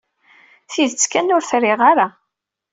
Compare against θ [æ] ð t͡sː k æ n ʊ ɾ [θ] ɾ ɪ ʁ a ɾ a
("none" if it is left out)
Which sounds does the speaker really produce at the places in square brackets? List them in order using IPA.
i, θ

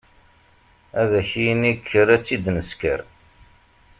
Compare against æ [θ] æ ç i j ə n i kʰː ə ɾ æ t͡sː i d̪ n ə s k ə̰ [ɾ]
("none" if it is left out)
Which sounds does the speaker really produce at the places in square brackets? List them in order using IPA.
ð, ɾ

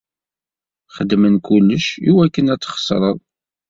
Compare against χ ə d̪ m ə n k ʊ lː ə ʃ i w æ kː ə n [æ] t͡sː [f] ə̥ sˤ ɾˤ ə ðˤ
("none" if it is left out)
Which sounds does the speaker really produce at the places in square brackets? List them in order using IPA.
æ, χ

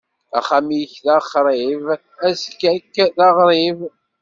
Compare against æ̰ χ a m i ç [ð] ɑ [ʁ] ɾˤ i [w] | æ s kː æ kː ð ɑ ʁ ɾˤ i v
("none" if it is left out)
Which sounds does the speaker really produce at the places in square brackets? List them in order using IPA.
ð, χ, v

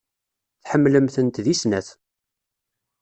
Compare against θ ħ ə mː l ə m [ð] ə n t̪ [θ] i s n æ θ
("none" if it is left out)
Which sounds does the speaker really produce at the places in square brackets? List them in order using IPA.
θ, ð

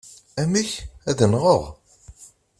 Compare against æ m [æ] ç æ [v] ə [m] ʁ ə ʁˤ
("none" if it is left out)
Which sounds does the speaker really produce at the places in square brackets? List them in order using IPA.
i, ð, n

